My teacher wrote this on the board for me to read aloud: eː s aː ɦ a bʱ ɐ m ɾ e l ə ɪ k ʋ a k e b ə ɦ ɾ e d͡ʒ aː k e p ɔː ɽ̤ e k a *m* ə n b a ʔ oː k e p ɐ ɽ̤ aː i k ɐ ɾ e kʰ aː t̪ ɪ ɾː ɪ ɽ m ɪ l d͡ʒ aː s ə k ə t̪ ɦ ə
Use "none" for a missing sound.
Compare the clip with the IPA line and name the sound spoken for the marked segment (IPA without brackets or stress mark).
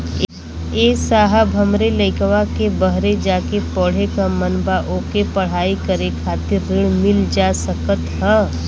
m